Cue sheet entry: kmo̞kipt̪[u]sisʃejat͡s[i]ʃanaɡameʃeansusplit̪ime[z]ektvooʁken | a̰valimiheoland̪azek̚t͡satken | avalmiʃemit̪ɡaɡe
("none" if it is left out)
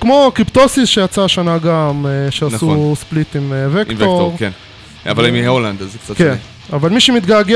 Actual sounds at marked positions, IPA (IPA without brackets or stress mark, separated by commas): o, a, v